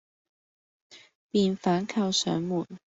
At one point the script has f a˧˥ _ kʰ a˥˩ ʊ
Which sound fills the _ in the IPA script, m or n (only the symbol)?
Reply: n